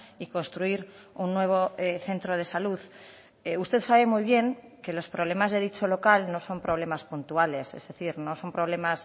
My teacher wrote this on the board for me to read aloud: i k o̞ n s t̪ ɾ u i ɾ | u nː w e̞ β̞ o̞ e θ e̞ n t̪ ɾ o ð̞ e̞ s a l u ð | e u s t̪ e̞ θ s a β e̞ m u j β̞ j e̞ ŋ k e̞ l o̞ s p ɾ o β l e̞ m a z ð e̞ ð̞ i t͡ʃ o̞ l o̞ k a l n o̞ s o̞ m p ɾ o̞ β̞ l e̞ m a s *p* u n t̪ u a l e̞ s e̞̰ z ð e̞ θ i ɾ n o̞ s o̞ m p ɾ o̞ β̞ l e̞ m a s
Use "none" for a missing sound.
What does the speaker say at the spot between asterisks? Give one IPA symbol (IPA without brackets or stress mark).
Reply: p